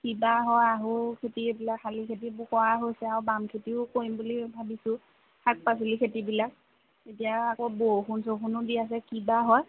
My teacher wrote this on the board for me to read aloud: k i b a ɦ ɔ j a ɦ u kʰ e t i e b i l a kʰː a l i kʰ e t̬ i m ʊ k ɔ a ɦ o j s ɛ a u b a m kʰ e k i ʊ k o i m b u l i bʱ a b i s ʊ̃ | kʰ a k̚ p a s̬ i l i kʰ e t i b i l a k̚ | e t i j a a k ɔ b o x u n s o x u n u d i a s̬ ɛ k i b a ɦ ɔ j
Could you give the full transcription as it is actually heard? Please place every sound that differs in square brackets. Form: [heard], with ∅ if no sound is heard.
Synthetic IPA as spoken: k i b a ɦ ɔ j a ɦ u kʰ e t i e b i l a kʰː a l i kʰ e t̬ i [b] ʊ k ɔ a ɦ o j s ɛ a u b a m kʰ e [t] i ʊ k o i m b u l i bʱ a b i s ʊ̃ | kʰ a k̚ p a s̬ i l i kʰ e t i b i l a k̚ | e t i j a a k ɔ b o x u n s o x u n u d i a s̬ ɛ k i b a ɦ ɔ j